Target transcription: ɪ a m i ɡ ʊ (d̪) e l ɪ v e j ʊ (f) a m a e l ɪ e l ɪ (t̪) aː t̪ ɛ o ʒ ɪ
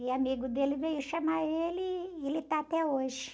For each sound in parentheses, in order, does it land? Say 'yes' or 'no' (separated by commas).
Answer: yes, no, yes